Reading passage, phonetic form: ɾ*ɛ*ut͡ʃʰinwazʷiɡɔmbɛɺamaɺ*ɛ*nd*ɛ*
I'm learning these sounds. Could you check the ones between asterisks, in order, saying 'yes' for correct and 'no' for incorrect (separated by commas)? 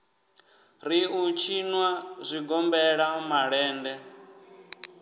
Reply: no, no, yes